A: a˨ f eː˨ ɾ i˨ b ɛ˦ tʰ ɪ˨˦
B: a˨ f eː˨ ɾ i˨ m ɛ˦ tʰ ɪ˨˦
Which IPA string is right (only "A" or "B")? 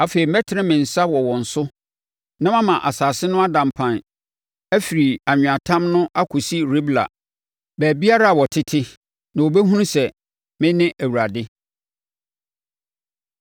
B